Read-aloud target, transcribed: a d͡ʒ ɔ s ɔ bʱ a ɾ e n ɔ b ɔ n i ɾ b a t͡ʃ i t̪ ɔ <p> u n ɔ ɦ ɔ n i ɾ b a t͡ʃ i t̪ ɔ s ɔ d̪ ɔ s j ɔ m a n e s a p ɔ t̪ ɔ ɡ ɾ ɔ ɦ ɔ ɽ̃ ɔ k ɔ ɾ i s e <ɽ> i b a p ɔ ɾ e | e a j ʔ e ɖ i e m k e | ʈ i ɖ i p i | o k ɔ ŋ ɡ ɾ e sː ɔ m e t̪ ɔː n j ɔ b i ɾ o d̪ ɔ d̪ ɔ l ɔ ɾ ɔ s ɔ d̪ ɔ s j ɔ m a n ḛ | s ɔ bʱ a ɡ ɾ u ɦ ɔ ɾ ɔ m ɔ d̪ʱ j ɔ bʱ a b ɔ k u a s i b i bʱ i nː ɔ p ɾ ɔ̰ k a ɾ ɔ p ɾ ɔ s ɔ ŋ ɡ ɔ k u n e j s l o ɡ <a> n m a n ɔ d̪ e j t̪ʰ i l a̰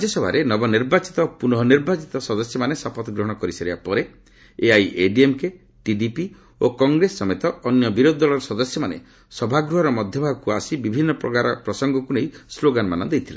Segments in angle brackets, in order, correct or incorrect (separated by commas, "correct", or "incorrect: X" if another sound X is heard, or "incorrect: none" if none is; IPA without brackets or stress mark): correct, incorrect: ɾ, correct